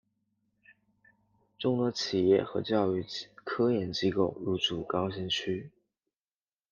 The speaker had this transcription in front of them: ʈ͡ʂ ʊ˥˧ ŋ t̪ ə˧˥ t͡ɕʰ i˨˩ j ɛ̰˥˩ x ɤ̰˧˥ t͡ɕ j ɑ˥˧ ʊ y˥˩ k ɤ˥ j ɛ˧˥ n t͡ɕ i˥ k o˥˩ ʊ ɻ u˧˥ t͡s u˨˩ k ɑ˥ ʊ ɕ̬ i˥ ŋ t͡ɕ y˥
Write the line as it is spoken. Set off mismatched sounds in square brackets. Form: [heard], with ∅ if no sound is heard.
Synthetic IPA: ʈ͡ʂ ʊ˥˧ ŋ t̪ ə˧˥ t͡ɕʰ i˨˩ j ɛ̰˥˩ x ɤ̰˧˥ t͡ɕ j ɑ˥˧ ʊ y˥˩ [kʰ] ɤ˥ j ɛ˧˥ n t͡ɕ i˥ k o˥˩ ʊ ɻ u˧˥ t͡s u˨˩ k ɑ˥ ʊ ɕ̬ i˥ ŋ [t͡ɕʰ] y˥